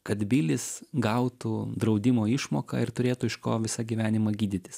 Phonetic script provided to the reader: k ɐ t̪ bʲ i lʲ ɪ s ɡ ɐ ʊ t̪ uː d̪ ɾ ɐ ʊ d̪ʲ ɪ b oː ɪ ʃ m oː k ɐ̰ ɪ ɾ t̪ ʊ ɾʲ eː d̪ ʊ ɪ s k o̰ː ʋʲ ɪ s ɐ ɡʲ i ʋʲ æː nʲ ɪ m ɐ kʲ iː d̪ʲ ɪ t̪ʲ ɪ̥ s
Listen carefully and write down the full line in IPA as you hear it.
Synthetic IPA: k ɐ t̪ bʲ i lʲ ɪ s ɡ ɐ ʊ t̪ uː d̪ ɾ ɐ ʊ d̪ʲ ɪ m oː ɪ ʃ m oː k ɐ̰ ɪ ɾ t̪ ʊ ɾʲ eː t̪ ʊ ɪ ʃ k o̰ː ʋʲ ɪ s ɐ ɡʲ i ʋʲ æː nʲ ɪ m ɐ ɡʲ iː d̪ʲ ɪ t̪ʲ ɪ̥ s